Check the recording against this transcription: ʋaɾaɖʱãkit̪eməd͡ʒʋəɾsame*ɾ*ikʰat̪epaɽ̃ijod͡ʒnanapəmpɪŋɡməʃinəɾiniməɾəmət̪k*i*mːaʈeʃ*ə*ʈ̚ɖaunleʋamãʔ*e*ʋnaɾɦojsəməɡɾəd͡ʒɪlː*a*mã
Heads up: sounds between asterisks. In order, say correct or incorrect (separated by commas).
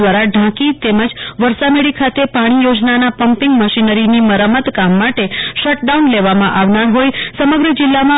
incorrect, incorrect, correct, incorrect, correct